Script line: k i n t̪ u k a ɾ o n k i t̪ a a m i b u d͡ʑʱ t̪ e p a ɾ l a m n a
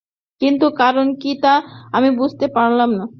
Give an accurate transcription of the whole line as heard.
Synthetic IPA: k i n t̪ u k a ɾ o n k i t̪ a a m i b u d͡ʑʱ t̪ e p a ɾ l a m n a